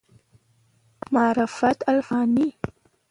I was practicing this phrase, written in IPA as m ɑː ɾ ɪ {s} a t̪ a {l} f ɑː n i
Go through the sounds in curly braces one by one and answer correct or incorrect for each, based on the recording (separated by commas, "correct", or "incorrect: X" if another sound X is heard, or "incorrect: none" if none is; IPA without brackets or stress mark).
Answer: incorrect: f, correct